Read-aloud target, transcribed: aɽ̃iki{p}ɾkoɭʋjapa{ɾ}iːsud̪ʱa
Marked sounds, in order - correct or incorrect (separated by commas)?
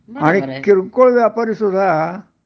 incorrect, correct